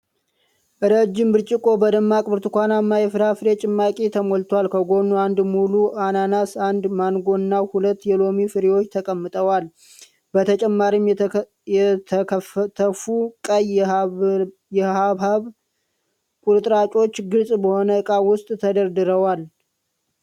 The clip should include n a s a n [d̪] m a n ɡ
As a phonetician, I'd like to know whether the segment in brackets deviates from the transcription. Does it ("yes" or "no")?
no